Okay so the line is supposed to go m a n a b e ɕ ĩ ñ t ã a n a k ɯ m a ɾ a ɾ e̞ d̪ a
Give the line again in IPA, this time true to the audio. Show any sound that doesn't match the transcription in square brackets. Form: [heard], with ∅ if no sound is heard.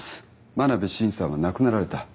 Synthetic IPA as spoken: m a n a b e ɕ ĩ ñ [s] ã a n a k ɯ [n] a ɾ a ɾ e̞ [t̪] a